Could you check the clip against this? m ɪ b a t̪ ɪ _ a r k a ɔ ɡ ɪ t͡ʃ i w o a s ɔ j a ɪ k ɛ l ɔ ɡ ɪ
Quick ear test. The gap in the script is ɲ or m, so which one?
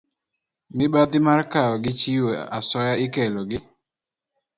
m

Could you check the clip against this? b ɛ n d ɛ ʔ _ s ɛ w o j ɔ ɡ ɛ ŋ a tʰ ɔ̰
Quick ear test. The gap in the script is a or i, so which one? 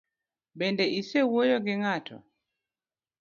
i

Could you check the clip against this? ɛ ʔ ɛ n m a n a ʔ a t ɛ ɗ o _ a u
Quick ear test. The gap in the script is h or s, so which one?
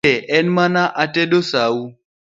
s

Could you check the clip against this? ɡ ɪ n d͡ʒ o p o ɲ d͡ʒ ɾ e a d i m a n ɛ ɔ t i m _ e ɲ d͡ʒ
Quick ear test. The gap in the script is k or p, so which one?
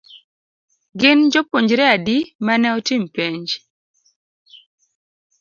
p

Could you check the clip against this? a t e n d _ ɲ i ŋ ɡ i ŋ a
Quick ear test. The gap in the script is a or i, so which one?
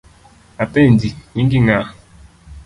i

